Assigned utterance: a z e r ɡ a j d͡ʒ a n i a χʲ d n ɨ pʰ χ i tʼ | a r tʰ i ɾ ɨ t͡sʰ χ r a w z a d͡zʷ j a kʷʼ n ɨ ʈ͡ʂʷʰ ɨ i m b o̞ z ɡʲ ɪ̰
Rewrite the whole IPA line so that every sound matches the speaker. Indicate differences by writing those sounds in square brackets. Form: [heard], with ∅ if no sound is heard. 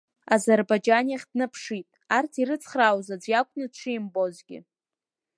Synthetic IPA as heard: a z e r [b] a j d͡ʒ a n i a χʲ d n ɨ pʰ [ʂ] i tʼ | a r tʰ i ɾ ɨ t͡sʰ χ r a w z a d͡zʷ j a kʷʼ n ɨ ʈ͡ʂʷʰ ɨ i m b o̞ z ɡʲ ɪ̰